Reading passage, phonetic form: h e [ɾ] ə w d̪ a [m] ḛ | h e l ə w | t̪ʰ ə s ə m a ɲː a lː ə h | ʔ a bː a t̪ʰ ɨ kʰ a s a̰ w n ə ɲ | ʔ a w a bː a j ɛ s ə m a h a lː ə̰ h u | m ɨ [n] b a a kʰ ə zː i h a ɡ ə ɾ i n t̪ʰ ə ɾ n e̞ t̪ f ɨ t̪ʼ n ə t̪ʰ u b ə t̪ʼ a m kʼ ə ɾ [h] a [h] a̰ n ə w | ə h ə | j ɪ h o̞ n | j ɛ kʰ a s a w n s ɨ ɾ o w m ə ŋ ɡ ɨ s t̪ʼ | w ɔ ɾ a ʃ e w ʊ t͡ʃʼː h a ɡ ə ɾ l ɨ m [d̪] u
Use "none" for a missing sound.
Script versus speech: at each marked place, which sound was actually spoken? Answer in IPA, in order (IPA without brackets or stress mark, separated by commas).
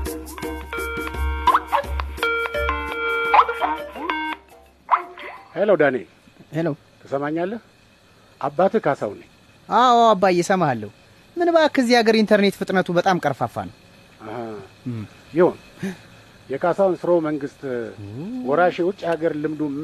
l, n, n, f, f, d̪